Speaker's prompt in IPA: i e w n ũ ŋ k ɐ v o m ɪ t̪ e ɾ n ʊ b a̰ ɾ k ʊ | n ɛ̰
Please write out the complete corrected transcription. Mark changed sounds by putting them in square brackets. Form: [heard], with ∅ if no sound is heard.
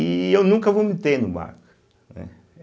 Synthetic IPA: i e w n ũ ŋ k ɐ v o m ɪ t̪ e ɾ n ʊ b a̰ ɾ k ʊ | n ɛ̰

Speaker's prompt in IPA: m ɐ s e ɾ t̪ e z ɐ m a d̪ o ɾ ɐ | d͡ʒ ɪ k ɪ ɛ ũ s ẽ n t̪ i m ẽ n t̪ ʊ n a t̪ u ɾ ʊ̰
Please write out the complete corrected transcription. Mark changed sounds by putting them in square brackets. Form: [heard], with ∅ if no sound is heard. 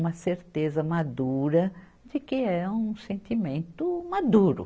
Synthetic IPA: m ɐ s e ɾ t̪ e z ɐ m a d̪ [u] ɾ ɐ | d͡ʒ ɪ k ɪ ɛ ũ s ẽ n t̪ i m ẽ n t̪ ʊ [m] a [d̪] u ɾ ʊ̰

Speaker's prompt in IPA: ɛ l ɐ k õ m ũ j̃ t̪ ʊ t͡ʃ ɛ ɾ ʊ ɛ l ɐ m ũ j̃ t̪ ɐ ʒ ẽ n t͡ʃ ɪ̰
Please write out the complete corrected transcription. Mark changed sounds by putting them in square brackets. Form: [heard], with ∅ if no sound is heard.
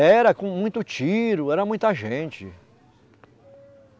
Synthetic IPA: ɛ [ɾ] ɐ k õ m ũ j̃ t̪ ʊ t͡ʃ [i] ɾ ʊ ɛ [ɾ] ɐ m ũ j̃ t̪ ɐ ʒ ẽ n t͡ʃ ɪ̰

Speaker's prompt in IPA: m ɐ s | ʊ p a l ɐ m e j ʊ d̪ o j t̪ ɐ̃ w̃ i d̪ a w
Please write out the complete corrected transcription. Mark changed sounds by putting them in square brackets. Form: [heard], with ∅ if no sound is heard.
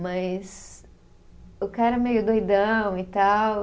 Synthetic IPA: m ɐ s | ʊ [k] a [ɾ] ɐ m e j ʊ d̪ o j [d̪] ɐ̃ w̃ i [t̪] a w

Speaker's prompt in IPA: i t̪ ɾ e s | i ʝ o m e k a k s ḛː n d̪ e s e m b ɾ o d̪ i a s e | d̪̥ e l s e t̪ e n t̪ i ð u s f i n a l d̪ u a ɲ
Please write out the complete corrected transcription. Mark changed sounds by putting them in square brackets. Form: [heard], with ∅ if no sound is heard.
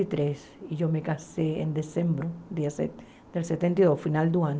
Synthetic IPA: i t̪ ɾ e s | i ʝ o m e k a [∅] s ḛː n d̪ e s e m b ɾ o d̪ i a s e | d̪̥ e l s e t̪ e n t̪ i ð [o] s f i n a l d̪ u a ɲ

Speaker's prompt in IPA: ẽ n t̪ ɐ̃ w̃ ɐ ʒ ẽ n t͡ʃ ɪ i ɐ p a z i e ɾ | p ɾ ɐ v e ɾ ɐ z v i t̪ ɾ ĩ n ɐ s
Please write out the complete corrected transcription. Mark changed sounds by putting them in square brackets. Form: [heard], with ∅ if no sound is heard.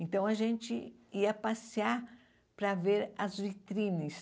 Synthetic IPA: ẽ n t̪ ɐ̃ w̃ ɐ ʒ ẽ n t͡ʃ ɪ i ɐ p a [s] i [a] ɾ | p ɾ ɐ v e ɾ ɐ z v i t̪ ɾ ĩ n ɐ s

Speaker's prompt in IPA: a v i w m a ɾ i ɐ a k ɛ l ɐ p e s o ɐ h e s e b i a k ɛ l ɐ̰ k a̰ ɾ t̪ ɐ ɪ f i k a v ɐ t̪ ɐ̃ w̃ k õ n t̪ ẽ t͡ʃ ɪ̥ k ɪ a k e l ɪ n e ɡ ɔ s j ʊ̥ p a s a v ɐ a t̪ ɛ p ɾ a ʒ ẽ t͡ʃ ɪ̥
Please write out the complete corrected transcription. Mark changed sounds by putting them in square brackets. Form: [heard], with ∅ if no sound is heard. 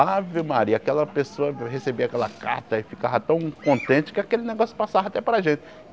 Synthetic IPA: a v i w m a ɾ i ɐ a k ɛ l ɐ p e s o ɐ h e s e b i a k ɛ l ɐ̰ k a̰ ɾ t̪ ɐ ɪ f i k a v ɐ t̪ ɐ̃ w̃ k õ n t̪ ẽ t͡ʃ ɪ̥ k ɪ a k e l ɪ n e ɡ ɔ s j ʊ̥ p a s a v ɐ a t̪ ɛ p ɾ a ʒ ẽ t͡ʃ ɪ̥

